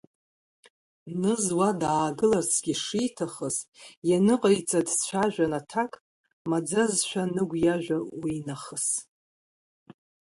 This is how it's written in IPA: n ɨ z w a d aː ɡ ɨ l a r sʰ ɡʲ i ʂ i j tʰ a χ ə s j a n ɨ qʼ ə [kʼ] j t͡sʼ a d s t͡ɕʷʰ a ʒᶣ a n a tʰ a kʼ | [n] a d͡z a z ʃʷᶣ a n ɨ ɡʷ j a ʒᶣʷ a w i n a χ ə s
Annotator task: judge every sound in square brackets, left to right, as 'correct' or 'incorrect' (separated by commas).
incorrect, incorrect